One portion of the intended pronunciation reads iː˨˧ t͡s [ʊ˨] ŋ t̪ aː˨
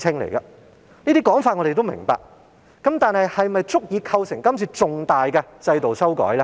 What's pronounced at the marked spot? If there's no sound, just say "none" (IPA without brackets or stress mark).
ʊ˨